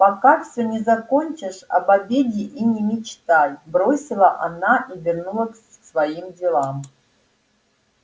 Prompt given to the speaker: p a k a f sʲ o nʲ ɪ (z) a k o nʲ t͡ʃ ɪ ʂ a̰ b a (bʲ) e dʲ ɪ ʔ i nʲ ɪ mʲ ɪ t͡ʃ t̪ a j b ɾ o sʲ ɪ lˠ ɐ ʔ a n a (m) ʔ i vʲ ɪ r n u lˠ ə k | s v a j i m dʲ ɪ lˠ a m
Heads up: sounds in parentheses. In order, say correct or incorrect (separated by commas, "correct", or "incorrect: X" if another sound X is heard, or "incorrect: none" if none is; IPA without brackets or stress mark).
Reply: correct, correct, incorrect: none